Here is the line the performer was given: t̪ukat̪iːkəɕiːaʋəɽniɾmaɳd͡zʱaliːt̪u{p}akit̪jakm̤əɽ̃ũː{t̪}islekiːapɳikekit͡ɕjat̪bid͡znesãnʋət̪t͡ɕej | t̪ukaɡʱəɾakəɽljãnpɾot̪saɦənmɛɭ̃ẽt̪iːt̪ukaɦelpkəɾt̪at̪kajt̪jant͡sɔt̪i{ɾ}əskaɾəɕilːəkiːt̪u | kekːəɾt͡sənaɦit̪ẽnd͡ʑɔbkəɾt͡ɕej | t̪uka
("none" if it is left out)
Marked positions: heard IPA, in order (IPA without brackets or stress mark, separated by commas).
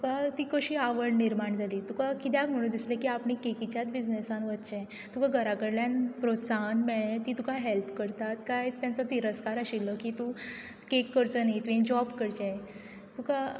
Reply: k, d̪, ɾ